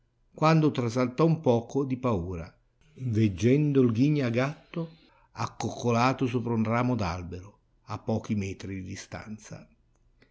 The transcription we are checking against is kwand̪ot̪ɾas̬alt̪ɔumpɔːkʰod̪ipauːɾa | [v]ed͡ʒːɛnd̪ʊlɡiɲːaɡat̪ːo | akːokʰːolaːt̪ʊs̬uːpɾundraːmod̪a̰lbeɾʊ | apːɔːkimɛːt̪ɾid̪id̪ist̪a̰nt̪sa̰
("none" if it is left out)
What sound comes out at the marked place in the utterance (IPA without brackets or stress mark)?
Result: v